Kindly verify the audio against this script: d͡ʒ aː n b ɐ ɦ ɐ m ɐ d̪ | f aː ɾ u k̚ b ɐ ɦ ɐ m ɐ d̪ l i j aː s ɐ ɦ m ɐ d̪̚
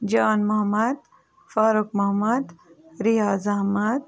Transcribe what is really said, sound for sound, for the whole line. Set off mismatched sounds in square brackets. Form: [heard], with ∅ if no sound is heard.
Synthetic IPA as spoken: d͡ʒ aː n [m] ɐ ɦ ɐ m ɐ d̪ | f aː ɾ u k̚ [m] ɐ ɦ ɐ m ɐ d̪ [ɾ] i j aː [z] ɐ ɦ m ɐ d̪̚